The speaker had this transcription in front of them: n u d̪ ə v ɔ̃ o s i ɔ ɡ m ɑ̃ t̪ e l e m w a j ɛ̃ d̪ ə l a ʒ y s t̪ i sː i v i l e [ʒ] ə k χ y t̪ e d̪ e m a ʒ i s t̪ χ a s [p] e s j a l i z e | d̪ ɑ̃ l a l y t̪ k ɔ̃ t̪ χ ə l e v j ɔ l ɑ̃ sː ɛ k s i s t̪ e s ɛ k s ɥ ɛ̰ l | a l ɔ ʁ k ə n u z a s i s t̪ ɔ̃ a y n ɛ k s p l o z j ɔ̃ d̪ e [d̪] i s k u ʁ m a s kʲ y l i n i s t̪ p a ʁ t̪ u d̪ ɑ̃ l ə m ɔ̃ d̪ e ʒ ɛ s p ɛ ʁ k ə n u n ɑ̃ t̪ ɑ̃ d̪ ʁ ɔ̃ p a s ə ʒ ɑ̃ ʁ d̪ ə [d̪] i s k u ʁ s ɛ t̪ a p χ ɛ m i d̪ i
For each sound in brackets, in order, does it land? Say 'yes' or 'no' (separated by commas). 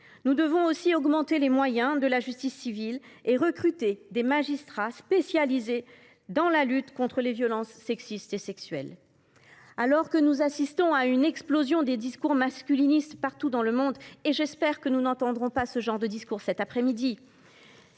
no, yes, yes, yes